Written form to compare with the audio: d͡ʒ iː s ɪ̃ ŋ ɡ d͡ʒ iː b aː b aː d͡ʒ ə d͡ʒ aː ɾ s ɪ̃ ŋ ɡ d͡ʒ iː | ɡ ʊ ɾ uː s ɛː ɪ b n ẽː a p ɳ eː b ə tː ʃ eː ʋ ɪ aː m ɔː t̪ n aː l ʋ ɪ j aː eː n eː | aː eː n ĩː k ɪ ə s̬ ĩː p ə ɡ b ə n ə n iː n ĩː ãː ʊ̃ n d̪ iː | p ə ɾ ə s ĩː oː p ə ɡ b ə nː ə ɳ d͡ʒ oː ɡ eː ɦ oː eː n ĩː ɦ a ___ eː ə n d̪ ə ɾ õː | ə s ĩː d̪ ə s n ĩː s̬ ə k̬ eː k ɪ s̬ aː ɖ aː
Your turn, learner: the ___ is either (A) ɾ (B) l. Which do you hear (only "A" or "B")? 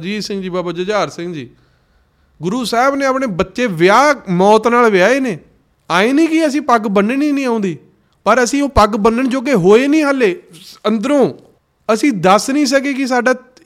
B